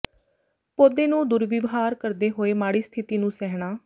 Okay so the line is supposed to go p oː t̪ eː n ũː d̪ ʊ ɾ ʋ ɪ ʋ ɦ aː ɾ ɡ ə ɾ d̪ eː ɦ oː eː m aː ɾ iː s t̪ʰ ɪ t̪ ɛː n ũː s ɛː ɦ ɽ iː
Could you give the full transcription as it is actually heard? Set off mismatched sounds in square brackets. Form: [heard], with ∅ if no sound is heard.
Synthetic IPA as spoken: p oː [d̪] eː n ũː d̪ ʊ ɾ ʋ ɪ ʋ ɦ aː ɾ [k] ə ɾ d̪ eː ɦ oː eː m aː [ɽ] iː s t̪ʰ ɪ t̪ [iː] n ũː s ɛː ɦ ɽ [aː]